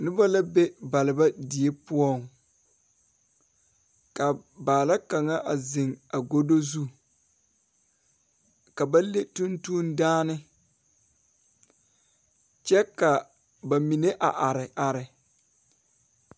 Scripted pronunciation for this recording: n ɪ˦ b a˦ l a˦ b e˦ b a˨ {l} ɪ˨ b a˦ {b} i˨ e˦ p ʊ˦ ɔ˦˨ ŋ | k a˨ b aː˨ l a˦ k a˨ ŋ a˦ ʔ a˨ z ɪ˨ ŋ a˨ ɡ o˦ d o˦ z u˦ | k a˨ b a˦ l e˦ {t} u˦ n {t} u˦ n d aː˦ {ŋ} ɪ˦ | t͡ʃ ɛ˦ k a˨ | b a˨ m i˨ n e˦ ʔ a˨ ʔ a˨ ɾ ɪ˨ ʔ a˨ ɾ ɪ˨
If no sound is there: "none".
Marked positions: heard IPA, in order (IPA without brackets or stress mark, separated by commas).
l, d, t, t, n